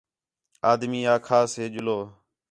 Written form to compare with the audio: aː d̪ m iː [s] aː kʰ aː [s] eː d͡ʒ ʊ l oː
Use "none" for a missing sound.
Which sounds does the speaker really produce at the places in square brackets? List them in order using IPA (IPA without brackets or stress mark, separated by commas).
none, s